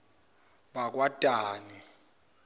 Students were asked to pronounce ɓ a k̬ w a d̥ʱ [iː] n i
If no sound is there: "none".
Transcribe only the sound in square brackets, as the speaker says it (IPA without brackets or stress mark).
aː